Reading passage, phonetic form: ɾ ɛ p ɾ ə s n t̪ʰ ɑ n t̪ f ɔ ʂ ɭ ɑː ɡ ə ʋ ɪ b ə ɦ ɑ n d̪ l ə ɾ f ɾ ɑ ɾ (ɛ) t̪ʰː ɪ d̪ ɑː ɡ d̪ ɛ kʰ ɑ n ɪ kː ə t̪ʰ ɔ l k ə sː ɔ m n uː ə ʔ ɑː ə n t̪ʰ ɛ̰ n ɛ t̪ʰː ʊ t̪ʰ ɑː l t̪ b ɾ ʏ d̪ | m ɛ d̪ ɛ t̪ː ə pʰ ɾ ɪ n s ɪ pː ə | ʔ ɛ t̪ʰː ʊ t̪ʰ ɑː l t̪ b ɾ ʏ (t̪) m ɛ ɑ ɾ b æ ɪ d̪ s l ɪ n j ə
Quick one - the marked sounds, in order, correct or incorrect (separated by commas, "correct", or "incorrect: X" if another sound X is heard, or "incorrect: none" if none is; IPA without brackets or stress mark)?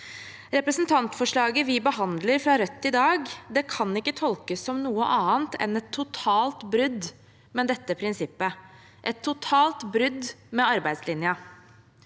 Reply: incorrect: œ, incorrect: d̪